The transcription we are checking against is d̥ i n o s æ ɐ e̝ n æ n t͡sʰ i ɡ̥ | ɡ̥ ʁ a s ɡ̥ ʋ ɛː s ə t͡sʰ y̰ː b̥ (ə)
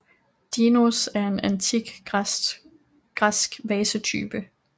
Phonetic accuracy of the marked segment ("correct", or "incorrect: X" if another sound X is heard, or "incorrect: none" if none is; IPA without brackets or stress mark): correct